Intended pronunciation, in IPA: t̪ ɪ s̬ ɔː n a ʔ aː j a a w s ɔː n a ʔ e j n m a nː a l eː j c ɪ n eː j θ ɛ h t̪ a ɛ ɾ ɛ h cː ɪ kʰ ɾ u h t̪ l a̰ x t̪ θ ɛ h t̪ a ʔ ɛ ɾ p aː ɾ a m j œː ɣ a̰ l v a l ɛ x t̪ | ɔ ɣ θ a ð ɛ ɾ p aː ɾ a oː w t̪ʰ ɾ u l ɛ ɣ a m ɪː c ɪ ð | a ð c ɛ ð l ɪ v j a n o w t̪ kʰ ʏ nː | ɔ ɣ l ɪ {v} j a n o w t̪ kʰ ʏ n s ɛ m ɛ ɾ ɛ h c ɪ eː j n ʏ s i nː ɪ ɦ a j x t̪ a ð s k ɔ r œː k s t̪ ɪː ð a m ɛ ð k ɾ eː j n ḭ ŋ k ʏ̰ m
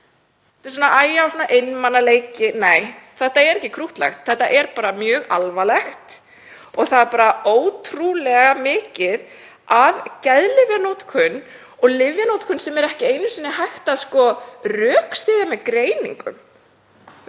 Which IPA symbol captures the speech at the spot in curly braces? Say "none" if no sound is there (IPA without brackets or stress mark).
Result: v